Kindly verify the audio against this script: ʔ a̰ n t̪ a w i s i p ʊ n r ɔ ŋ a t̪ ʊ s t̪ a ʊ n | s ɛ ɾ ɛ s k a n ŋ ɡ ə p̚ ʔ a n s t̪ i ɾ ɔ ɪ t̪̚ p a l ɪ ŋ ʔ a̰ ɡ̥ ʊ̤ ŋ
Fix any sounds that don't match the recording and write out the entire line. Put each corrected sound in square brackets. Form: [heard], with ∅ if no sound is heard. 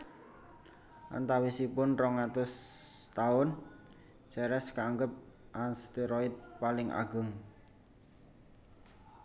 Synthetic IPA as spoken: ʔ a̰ n t̪ a w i s i p ʊ n r ɔ ŋ a t̪ ʊ s t̪ a ʊ n | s ɛ ɾ ɛ s k a [∅] ŋ ɡ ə p̚ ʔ a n s t̪ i ɾ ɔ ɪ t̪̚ p a l ɪ ŋ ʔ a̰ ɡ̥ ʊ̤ ŋ